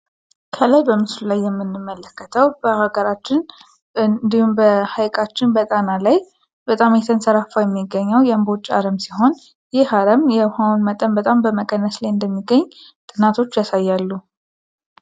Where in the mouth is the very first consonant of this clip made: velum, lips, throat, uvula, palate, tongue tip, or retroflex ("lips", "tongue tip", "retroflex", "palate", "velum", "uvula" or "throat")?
velum